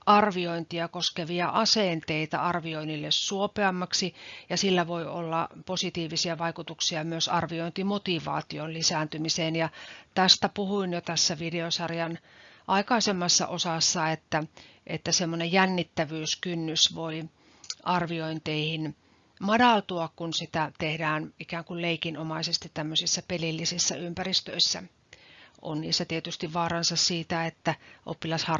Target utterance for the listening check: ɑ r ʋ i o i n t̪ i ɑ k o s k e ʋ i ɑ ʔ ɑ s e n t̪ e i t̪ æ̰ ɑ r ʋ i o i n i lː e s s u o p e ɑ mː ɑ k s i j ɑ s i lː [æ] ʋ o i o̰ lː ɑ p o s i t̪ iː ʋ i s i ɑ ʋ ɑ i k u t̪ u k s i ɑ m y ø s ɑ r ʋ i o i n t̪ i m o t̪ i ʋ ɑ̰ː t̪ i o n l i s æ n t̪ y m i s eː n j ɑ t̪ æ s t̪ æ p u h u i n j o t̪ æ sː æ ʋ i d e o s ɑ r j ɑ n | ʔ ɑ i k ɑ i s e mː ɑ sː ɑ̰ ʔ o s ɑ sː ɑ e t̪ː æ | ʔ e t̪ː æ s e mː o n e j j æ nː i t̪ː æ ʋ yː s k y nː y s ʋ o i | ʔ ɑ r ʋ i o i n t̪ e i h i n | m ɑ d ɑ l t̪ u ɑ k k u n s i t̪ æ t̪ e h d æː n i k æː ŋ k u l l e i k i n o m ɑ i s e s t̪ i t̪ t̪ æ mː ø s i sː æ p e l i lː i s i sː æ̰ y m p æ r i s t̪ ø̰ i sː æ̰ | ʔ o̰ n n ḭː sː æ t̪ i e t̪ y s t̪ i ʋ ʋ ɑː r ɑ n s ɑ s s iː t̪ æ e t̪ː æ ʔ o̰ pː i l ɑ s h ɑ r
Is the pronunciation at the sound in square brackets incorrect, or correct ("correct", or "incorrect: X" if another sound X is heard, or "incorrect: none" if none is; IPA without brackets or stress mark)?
correct